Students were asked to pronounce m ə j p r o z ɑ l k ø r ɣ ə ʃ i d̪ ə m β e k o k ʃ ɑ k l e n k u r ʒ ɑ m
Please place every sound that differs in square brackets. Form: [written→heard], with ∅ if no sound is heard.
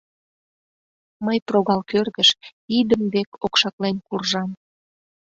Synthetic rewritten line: m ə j p r o [z→ɣ] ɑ l k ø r ɣ ə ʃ i d̪ ə m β e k o k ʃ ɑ k l e n k u r ʒ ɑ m